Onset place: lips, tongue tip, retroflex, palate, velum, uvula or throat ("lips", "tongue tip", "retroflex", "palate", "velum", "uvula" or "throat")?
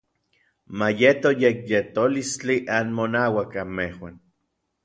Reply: lips